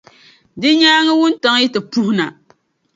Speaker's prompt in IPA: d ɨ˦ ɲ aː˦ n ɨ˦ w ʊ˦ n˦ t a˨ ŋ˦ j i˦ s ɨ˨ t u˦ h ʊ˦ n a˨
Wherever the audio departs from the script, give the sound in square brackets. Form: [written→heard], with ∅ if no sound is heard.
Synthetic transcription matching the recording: d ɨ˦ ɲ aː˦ [n→ŋ] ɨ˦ w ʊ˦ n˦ t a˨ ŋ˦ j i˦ [s→t] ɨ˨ [t→p] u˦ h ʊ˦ n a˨